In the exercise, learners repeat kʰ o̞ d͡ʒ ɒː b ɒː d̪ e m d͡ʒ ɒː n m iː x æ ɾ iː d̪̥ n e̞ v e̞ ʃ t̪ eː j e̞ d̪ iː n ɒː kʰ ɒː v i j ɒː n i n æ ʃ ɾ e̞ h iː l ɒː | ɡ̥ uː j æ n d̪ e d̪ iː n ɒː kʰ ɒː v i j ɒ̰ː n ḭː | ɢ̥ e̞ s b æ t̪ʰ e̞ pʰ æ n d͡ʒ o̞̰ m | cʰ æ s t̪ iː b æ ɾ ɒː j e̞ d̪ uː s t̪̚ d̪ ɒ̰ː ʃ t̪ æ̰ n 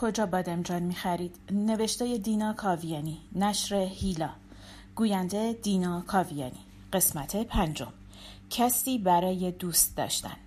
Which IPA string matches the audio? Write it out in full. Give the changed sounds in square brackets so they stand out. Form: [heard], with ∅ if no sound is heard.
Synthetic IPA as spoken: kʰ o̞ d͡ʒ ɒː b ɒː d̪ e m d͡ʒ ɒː n m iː x æ ɾ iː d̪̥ n e̞ v e̞ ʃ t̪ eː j e̞ d̪ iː n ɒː kʰ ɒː v i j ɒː n i n æ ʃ ɾ e̞ h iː l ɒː | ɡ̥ uː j æ n d̪ e d̪ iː n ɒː kʰ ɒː v i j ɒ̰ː n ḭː | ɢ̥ e̞ s [m] æ t̪ʰ e̞ pʰ æ n d͡ʒ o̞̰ m | cʰ æ s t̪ iː b æ ɾ ɒː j e̞ d̪ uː s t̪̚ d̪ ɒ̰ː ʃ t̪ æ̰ n